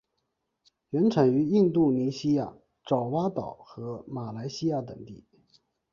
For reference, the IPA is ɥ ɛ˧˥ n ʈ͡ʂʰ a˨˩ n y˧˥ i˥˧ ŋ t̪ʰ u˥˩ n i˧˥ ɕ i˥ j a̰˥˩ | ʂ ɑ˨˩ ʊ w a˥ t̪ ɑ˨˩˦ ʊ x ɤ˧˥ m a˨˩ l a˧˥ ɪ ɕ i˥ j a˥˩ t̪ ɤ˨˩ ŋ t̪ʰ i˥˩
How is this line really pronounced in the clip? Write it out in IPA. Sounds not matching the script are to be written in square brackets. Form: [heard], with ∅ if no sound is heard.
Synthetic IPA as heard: ɥ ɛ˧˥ n ʈ͡ʂʰ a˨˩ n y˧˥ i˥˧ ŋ [t̪] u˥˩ n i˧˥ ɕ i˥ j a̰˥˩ | [ʈ͡ʂ] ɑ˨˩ ʊ w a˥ t̪ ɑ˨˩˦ ʊ x ɤ˧˥ m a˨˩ l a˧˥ ɪ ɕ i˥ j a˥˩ t̪ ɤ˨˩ ŋ [t̪] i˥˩